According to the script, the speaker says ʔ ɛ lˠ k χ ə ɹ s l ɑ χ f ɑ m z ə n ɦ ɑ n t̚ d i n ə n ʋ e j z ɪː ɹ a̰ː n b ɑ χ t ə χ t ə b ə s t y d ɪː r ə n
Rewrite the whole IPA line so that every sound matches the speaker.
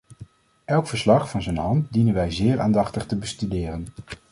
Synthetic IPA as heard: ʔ ɛ lˠ k f ə ɹ s l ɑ χ f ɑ n z ə n ɦ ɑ n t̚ d i n ə n ʋ ɛ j z ɪː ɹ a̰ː n d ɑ χ t ə χ t ə b ə s t y d ɪː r ə n